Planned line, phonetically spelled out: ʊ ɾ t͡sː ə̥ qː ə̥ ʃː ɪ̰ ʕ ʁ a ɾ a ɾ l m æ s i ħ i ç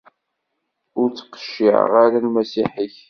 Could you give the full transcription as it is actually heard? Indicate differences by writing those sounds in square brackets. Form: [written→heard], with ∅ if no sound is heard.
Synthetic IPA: ʊ ɾ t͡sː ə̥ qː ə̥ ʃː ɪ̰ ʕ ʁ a ɾ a [ɾ→∅] l m æ s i ħ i ç